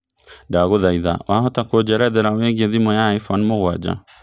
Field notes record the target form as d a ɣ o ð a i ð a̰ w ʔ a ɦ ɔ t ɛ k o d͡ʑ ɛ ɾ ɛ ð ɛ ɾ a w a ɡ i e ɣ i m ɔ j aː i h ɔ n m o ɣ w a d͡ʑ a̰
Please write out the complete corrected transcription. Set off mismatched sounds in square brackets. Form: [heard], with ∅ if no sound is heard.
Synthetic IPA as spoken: d a ɣ o ð a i ð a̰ w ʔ a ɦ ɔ t [a] k o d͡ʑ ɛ ɾ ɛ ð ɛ ɾ a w [e] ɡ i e [ð] i m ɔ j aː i [f] ɔ n m o ɣ w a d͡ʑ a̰